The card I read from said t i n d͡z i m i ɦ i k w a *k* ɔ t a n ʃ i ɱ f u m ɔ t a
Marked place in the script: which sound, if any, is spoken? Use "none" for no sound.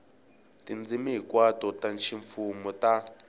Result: t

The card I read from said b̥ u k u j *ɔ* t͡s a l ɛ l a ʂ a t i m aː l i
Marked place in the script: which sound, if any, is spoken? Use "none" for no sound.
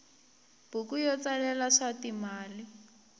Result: ɔ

